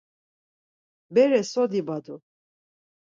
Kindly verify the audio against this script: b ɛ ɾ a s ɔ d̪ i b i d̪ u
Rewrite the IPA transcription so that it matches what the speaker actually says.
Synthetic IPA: b ɛ ɾ ɛ s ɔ d̪ i b a d̪ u

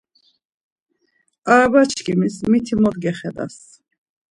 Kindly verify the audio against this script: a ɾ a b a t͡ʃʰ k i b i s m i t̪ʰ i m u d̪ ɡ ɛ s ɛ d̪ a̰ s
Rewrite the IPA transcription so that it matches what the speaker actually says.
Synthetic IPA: a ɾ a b a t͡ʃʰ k i m i s m i t̪ʰ i m ɔ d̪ ɡ ɛ χ ɛ d̪ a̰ s

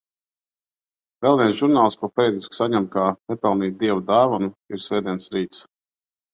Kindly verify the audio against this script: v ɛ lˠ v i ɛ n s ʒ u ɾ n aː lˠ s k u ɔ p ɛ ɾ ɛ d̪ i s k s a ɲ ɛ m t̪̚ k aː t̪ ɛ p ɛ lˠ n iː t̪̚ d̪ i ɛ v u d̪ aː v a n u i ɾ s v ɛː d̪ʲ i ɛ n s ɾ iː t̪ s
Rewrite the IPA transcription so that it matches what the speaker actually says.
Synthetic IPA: v ɛ lˠ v i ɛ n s ʒ u ɾ n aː lˠ s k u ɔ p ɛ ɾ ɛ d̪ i s k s a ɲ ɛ m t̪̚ k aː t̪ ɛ p ɛ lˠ n iː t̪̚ d̪ i ɛ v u d̪ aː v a n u i ɾ s v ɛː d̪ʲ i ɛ n s ɾ iː t̪ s

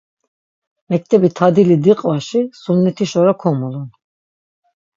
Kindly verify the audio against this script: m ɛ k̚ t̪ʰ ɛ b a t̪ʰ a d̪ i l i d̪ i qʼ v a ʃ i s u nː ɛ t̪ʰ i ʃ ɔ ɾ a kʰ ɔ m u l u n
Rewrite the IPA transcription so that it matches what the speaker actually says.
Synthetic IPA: m ɛ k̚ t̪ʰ ɛ b i t̪ʰ a d̪ i l i d̪ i qʼ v a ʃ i s u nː ɛ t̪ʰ i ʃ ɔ ɾ a kʰ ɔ m u l u n

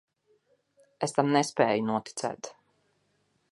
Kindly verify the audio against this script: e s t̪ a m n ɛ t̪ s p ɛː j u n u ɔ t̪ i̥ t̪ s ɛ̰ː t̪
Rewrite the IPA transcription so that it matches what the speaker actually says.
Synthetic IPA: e s t̪ a m n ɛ s p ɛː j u n u ɔ t̪ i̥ t̪ s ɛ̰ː t̪

